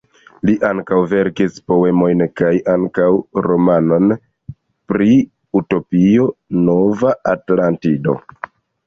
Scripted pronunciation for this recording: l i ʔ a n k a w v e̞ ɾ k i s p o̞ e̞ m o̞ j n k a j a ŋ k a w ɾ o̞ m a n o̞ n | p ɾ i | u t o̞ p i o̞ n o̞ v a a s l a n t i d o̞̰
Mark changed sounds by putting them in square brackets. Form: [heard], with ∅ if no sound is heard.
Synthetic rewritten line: l i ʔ a [ŋ] k a w v e̞ ɾ k i s p o̞ e̞ m o̞ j n k a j a ŋ k a w ɾ o̞ m a n o̞ n | p ɾ i | u t o̞ p i o̞ n o̞ v a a [t] l a n t i d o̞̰